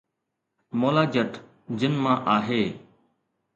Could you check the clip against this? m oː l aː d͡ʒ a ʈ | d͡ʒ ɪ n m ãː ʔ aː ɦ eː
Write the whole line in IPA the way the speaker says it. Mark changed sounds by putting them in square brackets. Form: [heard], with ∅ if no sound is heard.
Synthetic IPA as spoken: m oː l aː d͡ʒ [ə] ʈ | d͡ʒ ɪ n m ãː ʔ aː ɦ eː